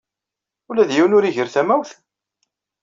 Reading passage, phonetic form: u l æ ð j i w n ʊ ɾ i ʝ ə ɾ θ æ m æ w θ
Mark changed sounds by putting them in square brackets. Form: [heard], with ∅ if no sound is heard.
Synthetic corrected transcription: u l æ ð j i w n ʊ ɾ i ʝ ə ɾ θ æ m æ w θ